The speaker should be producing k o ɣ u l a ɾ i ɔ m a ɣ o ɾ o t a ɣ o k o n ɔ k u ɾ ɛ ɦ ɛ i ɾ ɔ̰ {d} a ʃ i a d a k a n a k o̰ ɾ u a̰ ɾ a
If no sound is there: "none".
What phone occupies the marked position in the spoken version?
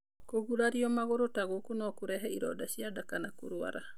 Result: d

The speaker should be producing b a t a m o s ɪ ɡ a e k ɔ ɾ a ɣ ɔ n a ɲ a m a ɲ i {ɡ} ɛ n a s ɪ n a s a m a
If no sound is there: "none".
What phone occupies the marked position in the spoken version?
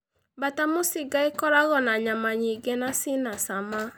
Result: ɡ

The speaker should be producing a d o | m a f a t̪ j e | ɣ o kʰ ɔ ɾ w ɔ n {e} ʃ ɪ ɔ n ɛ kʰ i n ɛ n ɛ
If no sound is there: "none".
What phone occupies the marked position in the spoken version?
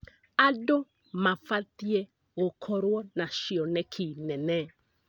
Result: a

